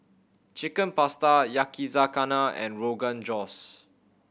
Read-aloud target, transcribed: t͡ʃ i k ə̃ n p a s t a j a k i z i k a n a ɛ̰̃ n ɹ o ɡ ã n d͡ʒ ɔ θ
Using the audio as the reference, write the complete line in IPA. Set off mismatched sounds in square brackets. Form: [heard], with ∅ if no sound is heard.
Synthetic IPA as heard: t͡ʃ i k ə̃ n p a s t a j a k i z [a] k a n a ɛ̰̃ n ɹ o ɡ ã n d͡ʒ ɔ [s]

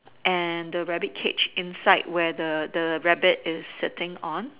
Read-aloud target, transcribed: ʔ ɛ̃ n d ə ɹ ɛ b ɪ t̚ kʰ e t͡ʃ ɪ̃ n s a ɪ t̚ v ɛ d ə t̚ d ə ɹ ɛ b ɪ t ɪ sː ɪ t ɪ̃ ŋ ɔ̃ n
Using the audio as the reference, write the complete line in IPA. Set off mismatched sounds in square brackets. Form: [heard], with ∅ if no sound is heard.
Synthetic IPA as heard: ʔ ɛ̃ n d ə ɹ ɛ b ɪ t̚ kʰ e t͡ʃ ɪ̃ n s a ɪ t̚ [w] ɛ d ə [∅] d ə ɹ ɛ b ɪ t ɪ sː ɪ t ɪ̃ ŋ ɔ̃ n

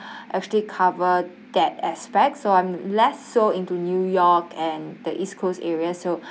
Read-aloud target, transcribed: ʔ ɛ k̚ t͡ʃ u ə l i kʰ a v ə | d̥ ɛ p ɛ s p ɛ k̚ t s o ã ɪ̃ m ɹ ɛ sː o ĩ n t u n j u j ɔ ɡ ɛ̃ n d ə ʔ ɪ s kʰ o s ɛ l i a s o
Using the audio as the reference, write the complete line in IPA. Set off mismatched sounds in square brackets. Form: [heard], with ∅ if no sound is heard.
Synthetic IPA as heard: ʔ ɛ k̚ t͡ʃ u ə l i kʰ a v ə | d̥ ɛ [t] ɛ s p ɛ k̚ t s o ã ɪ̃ m [l] ɛ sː o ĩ n t u n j u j ɔ [k] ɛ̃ n d ə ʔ [i] s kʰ o s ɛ [ɹ] i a s o

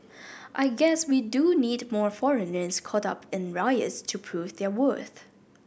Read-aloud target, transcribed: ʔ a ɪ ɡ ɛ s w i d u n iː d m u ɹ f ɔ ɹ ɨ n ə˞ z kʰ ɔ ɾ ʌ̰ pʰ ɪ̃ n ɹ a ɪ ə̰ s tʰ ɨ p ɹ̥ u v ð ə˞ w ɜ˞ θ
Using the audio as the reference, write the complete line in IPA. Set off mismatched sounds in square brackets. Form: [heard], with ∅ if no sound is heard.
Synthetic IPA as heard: ʔ a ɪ ɡ ɛ s w i d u n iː d m [ɔ] ɹ f ɔ ɹ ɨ n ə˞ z kʰ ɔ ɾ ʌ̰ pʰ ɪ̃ n ɹ a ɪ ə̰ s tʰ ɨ [pʰ] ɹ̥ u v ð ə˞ w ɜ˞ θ

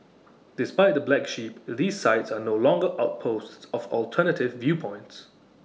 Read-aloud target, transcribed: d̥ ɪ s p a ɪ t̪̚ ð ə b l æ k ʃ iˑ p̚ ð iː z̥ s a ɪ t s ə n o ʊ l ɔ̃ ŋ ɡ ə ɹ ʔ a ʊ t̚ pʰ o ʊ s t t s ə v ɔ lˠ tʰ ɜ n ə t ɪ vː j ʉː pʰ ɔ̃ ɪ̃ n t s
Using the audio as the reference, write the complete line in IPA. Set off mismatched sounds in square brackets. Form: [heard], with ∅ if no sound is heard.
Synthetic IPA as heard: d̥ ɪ s p a ɪ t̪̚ ð ə b l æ k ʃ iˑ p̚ ð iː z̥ s a ɪ t s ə n o ʊ l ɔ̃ ŋ ɡ ə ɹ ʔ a ʊ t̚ pʰ o ʊ s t t s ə v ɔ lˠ tʰ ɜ n ə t ɪ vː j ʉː pʰ ɔ̃ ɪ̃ n t s

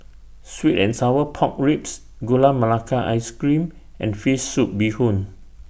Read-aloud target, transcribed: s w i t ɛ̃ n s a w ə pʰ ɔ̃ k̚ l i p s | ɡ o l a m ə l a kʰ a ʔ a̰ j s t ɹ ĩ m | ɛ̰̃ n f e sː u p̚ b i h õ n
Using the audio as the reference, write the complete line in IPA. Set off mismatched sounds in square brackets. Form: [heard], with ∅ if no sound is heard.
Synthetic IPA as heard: s w i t ɛ̃ n s a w ə pʰ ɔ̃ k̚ [ɹ] i p s | ɡ o l a m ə l a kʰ a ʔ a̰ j s [k] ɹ ĩ m | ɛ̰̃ n f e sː u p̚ b i h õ n

